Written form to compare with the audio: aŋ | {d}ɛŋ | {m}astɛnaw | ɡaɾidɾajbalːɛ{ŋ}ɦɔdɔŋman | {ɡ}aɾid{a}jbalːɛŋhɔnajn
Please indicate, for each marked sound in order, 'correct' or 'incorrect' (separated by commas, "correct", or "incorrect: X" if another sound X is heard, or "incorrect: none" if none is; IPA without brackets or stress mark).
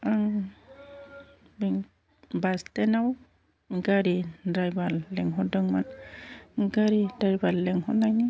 incorrect: b, incorrect: b, correct, correct, correct